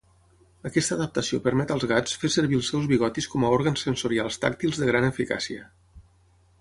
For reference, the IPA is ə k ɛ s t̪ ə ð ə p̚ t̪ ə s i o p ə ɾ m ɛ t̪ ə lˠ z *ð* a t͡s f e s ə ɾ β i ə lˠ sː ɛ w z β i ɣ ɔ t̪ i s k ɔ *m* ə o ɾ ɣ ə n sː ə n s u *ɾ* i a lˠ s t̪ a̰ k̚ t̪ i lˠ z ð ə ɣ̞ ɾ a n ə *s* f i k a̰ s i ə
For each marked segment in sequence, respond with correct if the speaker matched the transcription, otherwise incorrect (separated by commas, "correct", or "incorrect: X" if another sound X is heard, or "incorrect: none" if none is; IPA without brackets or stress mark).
incorrect: ɣ, correct, correct, incorrect: none